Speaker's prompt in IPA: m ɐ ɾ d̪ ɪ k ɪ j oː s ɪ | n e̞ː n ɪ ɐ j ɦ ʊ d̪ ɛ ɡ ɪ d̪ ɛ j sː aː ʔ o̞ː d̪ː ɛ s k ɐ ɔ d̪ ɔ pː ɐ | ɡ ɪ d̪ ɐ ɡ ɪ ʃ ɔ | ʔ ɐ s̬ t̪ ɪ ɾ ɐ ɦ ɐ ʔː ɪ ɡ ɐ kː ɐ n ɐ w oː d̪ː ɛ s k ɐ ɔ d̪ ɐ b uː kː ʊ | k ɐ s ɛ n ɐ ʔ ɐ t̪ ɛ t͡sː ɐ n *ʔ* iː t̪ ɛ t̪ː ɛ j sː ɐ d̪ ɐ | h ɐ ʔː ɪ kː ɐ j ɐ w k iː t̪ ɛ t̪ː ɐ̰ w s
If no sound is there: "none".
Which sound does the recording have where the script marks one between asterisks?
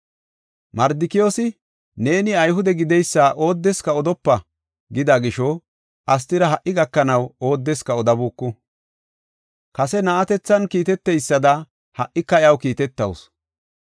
k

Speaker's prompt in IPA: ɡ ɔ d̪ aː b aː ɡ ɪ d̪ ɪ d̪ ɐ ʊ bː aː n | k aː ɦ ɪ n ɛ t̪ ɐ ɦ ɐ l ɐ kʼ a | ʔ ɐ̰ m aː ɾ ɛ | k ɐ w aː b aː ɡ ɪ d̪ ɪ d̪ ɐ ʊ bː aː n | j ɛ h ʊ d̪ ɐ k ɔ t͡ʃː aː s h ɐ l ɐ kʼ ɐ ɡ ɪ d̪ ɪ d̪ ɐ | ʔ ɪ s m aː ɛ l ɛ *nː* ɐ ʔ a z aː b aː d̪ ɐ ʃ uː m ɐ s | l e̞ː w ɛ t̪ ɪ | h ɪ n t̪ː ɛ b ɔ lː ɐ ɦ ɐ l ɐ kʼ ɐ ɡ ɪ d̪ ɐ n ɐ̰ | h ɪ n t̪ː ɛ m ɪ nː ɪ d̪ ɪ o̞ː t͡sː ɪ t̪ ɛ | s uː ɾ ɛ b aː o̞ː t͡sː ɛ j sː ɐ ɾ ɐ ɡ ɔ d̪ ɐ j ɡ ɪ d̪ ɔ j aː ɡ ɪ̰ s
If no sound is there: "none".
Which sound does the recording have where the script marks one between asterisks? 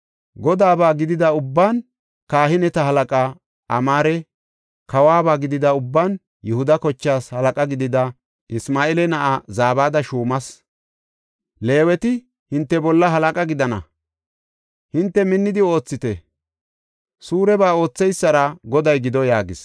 n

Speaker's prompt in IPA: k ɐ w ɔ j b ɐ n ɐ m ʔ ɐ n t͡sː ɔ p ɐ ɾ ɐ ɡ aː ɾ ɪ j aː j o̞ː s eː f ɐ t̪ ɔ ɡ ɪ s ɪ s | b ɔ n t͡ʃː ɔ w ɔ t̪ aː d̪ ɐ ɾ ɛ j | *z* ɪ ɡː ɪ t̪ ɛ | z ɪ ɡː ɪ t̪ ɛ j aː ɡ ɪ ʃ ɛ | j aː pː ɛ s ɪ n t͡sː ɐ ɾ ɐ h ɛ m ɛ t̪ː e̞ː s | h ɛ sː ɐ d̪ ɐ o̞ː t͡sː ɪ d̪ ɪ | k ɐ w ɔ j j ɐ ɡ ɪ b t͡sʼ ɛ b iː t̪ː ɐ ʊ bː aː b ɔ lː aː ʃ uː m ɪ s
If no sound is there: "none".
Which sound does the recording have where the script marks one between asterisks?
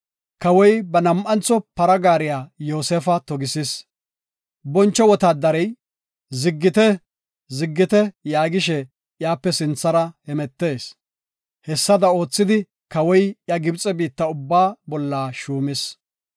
z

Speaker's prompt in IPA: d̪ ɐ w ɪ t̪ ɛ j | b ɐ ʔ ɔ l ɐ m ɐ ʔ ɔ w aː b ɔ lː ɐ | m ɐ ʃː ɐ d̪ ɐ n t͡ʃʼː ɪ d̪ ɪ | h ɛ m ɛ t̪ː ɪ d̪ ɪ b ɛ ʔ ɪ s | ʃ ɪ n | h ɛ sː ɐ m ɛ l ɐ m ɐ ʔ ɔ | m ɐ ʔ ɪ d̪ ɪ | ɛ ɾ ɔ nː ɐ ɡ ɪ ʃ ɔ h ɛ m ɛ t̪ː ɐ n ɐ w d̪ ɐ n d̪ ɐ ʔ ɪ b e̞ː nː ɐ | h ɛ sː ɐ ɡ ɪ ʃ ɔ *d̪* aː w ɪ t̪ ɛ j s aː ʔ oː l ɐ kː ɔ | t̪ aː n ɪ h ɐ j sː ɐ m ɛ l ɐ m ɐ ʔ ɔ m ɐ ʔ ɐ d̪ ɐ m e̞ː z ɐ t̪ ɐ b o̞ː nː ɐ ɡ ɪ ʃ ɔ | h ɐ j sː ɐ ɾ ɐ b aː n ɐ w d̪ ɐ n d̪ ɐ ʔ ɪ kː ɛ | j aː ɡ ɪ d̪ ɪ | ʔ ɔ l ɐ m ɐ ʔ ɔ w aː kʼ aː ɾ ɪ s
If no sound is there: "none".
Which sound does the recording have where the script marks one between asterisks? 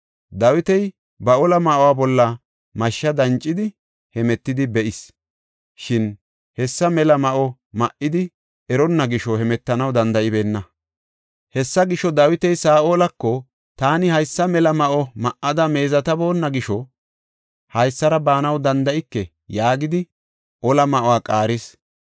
d̪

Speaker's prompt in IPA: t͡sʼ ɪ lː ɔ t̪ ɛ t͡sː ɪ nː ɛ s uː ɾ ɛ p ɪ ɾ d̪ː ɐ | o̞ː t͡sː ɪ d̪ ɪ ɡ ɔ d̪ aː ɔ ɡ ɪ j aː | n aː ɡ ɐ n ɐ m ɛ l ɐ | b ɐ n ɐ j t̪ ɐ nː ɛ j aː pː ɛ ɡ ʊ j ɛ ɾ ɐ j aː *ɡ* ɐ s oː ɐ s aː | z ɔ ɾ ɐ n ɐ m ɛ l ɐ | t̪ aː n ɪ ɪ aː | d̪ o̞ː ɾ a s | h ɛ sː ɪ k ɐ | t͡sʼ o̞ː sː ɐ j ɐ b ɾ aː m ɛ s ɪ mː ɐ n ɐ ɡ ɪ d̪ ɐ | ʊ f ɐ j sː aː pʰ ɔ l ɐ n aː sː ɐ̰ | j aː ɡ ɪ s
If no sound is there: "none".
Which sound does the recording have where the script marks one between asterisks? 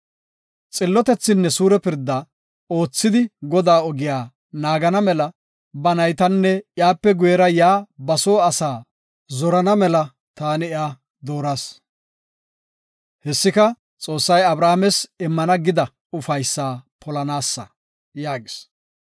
b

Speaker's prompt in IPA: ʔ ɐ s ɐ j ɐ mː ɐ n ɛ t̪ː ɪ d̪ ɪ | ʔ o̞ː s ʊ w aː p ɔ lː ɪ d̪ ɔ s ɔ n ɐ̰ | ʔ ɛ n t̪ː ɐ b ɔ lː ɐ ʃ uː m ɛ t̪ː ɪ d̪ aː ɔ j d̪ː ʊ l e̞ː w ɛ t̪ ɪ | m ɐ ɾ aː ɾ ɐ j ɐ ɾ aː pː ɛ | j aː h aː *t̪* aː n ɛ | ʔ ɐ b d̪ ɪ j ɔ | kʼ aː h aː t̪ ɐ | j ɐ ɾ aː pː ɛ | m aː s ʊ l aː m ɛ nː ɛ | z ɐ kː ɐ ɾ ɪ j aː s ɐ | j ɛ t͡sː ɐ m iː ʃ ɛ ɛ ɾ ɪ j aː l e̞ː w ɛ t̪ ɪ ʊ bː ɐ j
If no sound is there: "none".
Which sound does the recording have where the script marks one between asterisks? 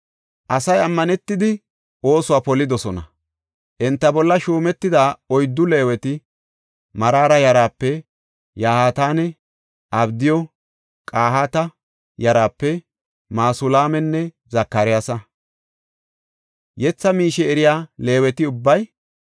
t̪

